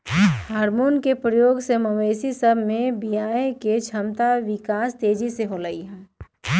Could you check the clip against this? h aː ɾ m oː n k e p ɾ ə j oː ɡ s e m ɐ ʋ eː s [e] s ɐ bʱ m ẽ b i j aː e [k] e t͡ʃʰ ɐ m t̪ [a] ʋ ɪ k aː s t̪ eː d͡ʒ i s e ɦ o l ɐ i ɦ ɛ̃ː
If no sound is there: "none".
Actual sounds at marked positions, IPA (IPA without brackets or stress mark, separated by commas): i, k, a